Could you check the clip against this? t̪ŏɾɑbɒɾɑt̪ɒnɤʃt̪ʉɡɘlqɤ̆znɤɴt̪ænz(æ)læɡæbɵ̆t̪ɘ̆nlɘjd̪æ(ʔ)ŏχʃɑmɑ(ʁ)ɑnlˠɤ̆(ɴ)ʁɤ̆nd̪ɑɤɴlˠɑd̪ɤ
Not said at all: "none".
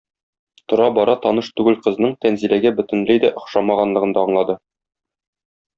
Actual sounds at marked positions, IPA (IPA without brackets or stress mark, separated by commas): i, ʔ, ʁ, none